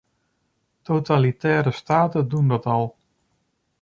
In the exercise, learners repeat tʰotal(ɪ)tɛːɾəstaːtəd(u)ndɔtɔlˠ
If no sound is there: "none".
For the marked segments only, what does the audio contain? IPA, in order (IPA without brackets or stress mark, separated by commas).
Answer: i, u